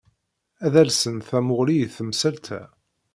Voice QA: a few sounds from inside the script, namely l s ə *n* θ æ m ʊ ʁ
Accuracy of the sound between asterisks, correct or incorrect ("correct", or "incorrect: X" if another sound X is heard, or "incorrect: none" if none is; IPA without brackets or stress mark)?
correct